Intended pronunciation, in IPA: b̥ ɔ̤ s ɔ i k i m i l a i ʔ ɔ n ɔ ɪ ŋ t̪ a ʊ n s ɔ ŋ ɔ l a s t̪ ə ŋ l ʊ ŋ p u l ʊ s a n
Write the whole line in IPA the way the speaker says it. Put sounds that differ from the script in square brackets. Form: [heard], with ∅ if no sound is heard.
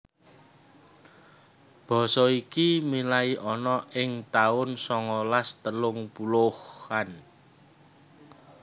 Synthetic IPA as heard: b̥ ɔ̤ s ɔ i k i m i l a i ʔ ɔ n ɔ ɪ ŋ t̪ a ʊ n s ɔ ŋ ɔ l a s t̪ ə [∅] l ʊ ŋ p u l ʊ [h] a n